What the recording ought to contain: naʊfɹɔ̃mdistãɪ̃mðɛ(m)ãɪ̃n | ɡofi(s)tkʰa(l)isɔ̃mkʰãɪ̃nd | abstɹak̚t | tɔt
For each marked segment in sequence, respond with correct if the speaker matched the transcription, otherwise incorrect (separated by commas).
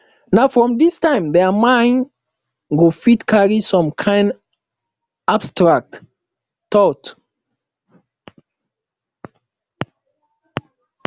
correct, incorrect, incorrect